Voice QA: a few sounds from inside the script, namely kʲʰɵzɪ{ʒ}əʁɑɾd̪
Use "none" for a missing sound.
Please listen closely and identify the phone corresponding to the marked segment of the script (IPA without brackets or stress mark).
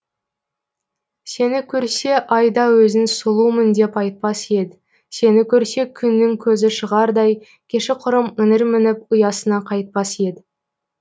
ʃ